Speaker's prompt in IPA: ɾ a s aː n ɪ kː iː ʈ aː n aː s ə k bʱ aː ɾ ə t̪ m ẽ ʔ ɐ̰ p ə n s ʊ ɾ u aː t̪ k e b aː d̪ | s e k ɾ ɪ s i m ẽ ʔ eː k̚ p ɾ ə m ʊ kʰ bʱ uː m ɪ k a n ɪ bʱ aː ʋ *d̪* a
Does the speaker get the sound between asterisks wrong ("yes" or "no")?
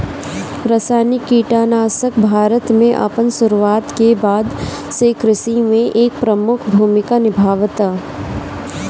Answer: yes